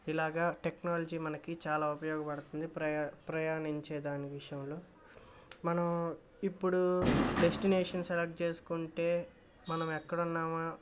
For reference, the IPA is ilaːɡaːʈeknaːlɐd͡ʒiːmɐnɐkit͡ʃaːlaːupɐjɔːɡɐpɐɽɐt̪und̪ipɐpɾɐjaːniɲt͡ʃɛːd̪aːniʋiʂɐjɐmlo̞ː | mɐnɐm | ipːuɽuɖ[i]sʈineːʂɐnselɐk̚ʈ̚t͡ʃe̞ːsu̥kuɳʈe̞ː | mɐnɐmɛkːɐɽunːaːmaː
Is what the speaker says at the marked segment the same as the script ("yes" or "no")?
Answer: no